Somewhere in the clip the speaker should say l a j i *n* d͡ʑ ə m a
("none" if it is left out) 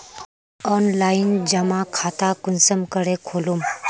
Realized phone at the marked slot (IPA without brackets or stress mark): n